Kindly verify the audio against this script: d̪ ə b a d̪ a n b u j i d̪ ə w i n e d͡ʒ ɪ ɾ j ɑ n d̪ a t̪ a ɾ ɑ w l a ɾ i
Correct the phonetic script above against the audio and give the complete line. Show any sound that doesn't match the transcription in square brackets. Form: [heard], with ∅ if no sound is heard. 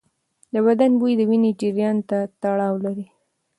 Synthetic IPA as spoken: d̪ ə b a d̪ a n b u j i d̪ ə w i n e d͡ʒ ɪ ɾ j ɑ n [t̪] a t̪ a [ɽ] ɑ w l a ɾ i